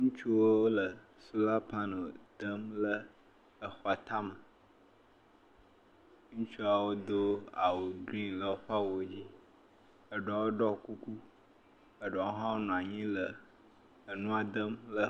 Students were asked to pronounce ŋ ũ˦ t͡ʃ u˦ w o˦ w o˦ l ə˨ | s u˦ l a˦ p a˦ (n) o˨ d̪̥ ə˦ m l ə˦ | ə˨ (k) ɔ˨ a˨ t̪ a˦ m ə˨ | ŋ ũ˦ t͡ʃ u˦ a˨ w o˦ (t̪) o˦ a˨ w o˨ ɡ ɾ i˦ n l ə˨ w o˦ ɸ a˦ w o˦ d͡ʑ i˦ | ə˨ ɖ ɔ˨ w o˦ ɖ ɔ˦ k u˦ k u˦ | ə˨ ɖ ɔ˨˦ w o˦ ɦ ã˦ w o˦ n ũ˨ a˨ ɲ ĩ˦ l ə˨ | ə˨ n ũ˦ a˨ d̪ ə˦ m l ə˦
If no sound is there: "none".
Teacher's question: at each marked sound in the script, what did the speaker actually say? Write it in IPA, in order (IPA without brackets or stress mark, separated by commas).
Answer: n, x, d̪